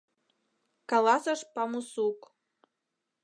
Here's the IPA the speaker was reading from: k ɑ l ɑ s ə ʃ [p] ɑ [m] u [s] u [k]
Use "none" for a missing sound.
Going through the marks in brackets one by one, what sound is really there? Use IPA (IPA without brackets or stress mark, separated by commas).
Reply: p, m, s, k